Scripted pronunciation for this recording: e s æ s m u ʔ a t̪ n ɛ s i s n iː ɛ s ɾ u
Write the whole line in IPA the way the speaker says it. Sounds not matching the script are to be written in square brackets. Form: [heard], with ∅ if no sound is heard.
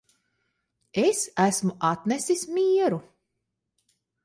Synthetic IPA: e s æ s m u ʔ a t̪ n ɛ s i s [m] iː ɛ [∅] ɾ u

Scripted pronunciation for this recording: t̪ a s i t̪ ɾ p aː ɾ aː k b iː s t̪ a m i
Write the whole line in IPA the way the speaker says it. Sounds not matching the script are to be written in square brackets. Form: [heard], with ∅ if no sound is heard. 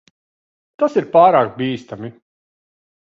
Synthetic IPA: t̪ a s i [∅] ɾ p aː ɾ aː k b iː s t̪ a m i

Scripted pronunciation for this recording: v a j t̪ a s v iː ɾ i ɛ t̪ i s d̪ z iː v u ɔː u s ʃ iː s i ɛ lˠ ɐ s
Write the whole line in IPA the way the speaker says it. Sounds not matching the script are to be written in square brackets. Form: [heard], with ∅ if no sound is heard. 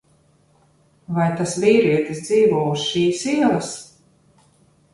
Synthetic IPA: v a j t̪ a s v iː ɾ i ɛ t̪ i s d̪ z iː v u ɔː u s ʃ iː s i ɛ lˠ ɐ s

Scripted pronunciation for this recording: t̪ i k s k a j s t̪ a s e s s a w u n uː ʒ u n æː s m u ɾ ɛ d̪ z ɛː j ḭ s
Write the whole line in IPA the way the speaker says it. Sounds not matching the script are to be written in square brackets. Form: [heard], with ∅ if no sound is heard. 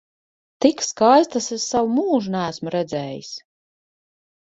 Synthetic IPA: t̪ i k s k a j s t̪ a s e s s a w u [m] uː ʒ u n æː s m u ɾ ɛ d̪ z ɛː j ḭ s

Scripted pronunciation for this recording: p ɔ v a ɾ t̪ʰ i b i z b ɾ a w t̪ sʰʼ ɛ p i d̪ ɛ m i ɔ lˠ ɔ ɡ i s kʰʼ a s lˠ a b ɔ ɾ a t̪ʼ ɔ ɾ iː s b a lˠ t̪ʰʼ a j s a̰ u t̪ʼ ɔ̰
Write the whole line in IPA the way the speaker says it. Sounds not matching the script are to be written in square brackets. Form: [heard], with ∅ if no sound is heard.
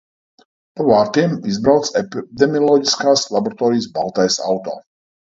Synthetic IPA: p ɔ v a ɾ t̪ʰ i [m] i z b ɾ a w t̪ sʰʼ ɛ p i d̪ ɛ m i ɔ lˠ ɔ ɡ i s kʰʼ a s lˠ a b ɔ ɾ a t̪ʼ ɔ ɾ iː s b a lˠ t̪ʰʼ a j s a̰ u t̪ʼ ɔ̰

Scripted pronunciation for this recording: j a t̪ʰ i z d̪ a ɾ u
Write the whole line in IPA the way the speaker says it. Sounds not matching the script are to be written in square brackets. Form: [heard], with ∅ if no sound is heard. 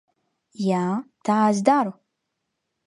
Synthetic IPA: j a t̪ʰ [a] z d̪ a ɾ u

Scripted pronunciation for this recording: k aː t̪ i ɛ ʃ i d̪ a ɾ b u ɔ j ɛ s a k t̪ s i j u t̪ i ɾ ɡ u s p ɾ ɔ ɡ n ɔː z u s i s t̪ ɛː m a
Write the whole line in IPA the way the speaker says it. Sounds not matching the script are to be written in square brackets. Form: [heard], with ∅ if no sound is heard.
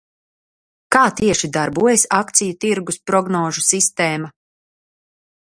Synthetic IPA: k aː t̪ i ɛ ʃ i d̪ a ɾ b u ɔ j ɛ s a k t̪ s i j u t̪ i ɾ ɡ u s p ɾ ɔ ɡ n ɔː [ʒ] u s i s t̪ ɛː m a

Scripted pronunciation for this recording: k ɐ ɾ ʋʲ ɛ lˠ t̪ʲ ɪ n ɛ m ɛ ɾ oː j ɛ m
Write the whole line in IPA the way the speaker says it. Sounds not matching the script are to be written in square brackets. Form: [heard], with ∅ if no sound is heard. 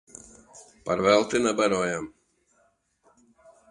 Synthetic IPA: [p] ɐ ɾ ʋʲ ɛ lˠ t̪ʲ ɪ n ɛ [b] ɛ ɾ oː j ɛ m

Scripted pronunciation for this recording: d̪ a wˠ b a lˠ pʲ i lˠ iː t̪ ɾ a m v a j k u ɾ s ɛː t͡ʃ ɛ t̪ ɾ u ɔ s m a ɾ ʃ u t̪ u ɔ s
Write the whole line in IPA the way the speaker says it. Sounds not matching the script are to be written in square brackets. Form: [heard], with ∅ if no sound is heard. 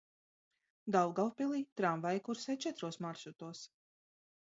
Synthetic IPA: d̪ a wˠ [ɡ] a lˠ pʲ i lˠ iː t̪ ɾ a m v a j k u ɾ s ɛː t͡ʃ ɛ t̪ ɾ u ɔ s m a ɾ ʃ u t̪ u ɔ s

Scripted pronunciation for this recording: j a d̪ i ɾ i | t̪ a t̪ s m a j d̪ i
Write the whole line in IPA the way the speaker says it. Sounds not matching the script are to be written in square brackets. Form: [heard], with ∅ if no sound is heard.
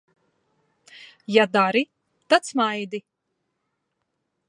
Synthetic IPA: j a d̪ [a] ɾ i | t̪ a t̪ s m a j d̪ i

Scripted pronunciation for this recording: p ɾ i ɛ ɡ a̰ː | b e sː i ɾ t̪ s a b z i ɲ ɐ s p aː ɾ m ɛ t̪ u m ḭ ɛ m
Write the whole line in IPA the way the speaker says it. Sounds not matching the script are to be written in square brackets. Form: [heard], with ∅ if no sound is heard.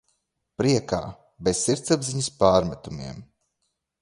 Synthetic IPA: p ɾ i ɛ [k] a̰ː | b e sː i ɾ t̪ s a b z i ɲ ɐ s p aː ɾ m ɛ t̪ u m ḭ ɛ m

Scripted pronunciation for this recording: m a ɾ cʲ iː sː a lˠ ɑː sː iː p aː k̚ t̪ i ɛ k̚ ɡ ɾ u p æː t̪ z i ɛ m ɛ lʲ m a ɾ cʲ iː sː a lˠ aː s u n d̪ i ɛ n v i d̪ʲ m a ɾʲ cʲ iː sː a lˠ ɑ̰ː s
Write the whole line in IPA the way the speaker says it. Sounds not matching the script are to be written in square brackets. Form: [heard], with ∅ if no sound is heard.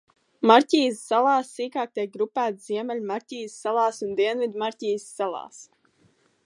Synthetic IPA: m a ɾ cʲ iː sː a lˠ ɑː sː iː [k] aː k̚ t̪ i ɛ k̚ ɡ ɾ u p æː t̪ z i ɛ m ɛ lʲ m a ɾ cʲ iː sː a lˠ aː s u n d̪ i ɛ n v i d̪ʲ m a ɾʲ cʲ iː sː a lˠ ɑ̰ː s

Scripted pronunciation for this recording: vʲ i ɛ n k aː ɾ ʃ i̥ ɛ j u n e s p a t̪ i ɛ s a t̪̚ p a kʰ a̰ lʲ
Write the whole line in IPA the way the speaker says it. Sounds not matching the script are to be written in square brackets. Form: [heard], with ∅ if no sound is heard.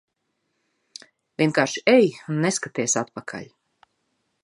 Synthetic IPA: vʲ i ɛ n k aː ɾ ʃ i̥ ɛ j u [nː] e s [k] a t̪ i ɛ s a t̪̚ p a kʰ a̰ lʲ

